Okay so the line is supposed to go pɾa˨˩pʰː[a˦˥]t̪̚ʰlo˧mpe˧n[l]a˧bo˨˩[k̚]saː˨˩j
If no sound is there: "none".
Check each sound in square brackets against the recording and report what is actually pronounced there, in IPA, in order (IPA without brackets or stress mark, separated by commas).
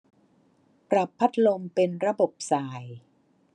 a˦˥, ɾ, p̚